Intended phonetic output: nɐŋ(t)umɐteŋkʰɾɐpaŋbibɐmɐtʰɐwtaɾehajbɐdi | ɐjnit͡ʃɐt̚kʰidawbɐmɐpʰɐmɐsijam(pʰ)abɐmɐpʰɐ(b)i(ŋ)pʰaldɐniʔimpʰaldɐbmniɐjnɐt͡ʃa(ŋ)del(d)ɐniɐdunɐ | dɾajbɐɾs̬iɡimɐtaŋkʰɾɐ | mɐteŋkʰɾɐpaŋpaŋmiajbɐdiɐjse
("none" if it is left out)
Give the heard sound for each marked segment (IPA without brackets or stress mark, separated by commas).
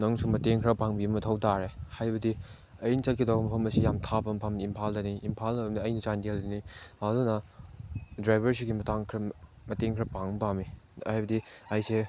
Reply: s, tʰ, m, m, n, d